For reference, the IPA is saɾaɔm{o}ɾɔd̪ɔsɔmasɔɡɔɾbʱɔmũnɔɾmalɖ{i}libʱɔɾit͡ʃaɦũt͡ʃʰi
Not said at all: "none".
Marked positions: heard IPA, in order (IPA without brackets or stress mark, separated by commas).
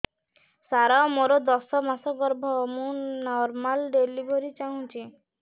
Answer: o, e